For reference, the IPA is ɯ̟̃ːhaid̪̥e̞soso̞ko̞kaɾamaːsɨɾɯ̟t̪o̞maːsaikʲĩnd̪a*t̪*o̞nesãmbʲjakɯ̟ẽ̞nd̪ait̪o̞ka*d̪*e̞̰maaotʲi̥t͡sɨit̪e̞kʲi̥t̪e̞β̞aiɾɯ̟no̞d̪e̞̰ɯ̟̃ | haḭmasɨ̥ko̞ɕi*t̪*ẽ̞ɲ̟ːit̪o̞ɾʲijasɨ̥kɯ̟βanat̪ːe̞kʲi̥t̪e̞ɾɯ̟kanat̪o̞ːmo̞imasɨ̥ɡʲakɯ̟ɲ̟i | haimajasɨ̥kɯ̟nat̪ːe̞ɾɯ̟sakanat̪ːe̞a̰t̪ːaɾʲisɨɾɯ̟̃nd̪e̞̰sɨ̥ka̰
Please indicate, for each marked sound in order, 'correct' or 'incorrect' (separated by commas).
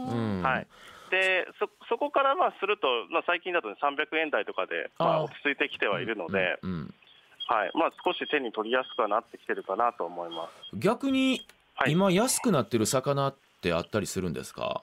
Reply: correct, correct, correct